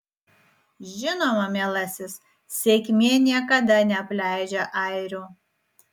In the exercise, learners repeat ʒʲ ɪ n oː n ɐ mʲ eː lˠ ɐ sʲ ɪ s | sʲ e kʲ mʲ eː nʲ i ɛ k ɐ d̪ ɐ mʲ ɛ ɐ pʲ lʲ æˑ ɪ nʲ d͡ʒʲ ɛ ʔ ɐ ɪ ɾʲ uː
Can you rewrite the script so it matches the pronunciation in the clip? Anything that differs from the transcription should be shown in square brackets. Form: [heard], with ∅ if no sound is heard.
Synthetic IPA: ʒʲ ɪ n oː [m] ɐ mʲ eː lˠ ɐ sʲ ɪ s | sʲ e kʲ mʲ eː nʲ i ɛ k ɐ d̪ ɐ [nʲ] ɛ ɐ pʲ lʲ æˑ ɪ [∅] d͡ʒʲ ɛ ʔ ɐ ɪ ɾʲ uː

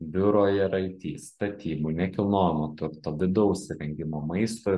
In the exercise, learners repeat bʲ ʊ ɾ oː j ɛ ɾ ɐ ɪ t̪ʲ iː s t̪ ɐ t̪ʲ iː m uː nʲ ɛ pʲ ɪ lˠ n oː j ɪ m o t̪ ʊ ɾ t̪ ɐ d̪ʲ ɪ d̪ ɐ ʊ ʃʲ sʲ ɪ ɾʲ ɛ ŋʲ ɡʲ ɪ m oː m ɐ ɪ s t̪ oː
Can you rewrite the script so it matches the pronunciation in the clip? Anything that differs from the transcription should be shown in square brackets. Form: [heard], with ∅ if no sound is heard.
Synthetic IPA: bʲ ʊ ɾ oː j ɛ ɾ ɐ ɪ t̪ʲ iː s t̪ ɐ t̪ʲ iː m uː nʲ ɛ [kʲ] ɪ lˠ n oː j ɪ m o t̪ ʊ ɾ t̪ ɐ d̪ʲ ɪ d̪ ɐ ʊ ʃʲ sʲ ɪ ɾʲ ɛ ŋʲ ɡʲ ɪ m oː m ɐ ɪ s t̪ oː

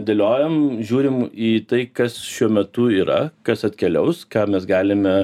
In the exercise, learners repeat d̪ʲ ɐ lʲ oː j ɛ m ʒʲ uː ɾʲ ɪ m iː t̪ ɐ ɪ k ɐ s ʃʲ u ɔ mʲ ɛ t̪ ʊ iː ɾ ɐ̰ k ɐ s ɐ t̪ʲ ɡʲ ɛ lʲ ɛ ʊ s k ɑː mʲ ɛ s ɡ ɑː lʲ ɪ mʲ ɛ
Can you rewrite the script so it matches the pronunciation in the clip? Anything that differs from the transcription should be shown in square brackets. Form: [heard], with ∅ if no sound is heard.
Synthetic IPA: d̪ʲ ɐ lʲ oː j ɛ m ʒʲ uː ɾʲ ɪ m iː t̪ ɐ ɪ k ɐ s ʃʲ u ɔ mʲ ɛ t̪ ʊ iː ɾ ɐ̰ k ɐ s ɐ t̪ʲ [kʲ] ɛ lʲ ɛ ʊ s k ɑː mʲ ɛ s ɡ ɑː lʲ ɪ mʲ ɛ

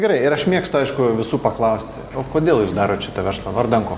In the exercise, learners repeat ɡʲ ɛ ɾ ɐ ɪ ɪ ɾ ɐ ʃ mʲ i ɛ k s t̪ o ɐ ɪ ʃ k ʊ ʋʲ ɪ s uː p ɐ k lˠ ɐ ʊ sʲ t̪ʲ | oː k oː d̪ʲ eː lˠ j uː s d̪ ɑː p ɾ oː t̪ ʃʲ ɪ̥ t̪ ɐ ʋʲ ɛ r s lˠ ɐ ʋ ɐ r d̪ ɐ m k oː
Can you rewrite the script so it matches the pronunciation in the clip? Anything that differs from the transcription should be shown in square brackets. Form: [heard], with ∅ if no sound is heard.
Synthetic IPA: ɡʲ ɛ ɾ ɐ ɪ ɪ ɾ ɐ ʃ mʲ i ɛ k s t̪ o ɐ ɪ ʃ k ʊ ʋʲ ɪ s uː p ɐ k lˠ ɐ ʊ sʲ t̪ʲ | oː k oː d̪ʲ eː lˠ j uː s d̪ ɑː [∅] ɾ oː t̪ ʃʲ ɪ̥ t̪ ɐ ʋʲ ɛ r s lˠ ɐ ʋ ɐ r d̪ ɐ [ŋ] k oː

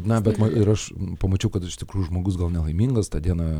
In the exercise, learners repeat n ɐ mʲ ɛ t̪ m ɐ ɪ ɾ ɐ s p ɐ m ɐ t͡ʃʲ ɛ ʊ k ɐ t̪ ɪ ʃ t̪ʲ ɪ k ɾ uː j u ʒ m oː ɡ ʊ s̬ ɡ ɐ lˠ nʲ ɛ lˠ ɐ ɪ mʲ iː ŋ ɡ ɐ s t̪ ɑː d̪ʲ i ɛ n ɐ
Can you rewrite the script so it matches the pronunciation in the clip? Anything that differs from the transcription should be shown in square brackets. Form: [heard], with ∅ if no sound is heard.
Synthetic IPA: n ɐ [bʲ] ɛ t̪ m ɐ ɪ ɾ ɐ [ʃ] p ɐ m ɐ t͡ʃʲ ɛ ʊ k ɐ t̪ ɪ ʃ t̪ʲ ɪ k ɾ uː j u ʒ m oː ɡ ʊ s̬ ɡ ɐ lˠ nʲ ɛ lˠ ɐ ɪ mʲ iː ŋ ɡ ɐ s t̪ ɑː d̪ʲ i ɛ n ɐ

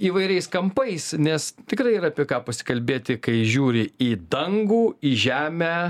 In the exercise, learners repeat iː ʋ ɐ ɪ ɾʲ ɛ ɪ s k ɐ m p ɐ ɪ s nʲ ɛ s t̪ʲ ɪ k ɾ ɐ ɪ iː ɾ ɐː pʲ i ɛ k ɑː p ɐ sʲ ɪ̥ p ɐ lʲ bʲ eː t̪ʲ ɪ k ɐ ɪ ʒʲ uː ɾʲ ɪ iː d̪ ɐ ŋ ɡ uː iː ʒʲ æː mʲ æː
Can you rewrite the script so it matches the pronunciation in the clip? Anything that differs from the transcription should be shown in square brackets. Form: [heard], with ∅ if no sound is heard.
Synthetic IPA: iː ʋ ɐ ɪ ɾʲ ɛ ɪ s k ɐ m p ɐ ɪ s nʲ ɛ s t̪ʲ ɪ k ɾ ɐ ɪ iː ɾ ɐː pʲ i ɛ k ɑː p ɐ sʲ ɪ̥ [k] ɐ lʲ bʲ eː t̪ʲ ɪ k ɐ ɪ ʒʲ uː ɾʲ ɪ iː d̪ ɐ ŋ ɡ uː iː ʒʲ æː mʲ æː

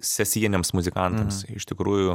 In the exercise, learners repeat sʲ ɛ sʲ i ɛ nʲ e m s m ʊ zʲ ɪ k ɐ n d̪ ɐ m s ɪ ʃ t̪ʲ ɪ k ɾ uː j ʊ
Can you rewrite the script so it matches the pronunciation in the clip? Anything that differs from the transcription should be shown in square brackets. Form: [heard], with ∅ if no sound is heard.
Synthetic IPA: sʲ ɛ sʲ i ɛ nʲ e m s m ʊ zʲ ɪ k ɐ n [t̪] ɐ m s ɪ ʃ t̪ʲ ɪ k ɾ uː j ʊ

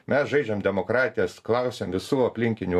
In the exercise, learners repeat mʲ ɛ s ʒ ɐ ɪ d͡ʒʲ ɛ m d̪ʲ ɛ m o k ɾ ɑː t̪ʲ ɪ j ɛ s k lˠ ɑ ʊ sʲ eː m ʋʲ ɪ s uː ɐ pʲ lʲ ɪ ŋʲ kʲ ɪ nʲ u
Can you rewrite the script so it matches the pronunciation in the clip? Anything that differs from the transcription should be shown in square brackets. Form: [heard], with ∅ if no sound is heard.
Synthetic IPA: mʲ ɛ s ʒ ɐ ɪ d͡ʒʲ ɛ m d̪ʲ ɛ m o k ɾ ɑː t̪ʲ ɪ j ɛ s k lˠ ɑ ʊ sʲ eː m ʋʲ ɪ s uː ɐ pʲ lʲ ɪ ŋʲ kʲ ɪ nʲ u

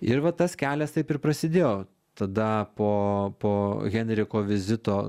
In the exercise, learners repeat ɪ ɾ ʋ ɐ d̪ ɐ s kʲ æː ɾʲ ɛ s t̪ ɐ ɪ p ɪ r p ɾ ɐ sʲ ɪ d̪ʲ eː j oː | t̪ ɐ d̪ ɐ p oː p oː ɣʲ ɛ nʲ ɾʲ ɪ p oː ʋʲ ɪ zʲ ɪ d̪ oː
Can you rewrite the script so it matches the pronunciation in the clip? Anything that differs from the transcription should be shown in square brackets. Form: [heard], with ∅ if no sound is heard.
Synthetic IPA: ɪ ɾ ʋ ɐ [t̪] ɐ s kʲ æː [lʲ] ɛ s t̪ ɐ ɪ p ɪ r p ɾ ɐ sʲ ɪ d̪ʲ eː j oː | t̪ ɐ d̪ ɐ p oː p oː ɣʲ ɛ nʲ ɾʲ ɪ [k] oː ʋʲ ɪ zʲ ɪ [t̪] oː

